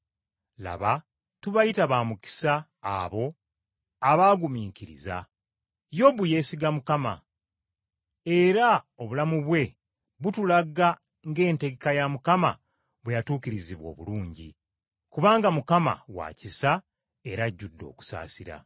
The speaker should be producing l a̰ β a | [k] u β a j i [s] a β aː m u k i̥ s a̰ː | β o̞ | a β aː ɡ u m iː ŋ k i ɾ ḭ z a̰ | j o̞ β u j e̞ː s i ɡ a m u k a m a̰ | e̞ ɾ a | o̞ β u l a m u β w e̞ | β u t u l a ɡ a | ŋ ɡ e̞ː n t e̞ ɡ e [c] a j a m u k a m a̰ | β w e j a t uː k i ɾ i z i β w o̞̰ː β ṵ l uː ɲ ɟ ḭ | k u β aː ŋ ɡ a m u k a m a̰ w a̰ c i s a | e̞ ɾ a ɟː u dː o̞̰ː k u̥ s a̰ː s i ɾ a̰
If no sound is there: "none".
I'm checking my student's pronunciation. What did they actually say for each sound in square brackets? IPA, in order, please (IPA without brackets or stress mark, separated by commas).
t, t, k